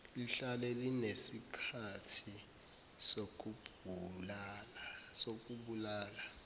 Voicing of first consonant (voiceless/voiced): voiced